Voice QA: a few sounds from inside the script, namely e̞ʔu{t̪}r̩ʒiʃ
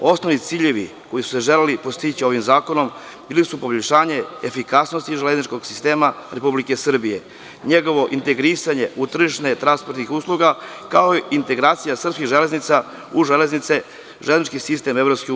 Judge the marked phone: correct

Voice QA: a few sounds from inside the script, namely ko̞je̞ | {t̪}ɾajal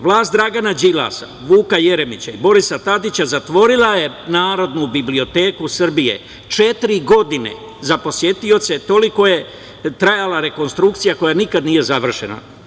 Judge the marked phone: correct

